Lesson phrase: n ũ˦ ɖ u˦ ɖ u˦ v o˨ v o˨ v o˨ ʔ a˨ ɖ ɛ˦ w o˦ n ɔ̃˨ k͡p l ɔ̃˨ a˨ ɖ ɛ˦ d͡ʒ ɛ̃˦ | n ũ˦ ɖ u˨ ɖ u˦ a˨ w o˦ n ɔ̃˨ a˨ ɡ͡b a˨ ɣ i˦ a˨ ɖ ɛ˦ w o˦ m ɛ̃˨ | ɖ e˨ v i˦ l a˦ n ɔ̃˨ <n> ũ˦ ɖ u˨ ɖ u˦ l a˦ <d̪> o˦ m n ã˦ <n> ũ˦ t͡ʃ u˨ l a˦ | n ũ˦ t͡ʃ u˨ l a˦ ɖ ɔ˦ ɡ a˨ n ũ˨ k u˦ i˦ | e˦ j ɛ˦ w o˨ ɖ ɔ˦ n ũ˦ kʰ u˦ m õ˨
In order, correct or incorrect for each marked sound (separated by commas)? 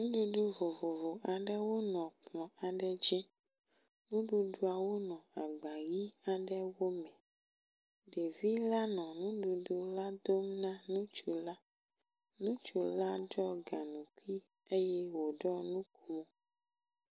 correct, correct, correct